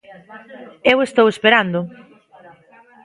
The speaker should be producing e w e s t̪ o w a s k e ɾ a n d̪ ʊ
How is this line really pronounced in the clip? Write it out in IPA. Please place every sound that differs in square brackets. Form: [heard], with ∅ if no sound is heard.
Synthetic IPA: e w e s t̪ o w [e] s [p] e ɾ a n d̪ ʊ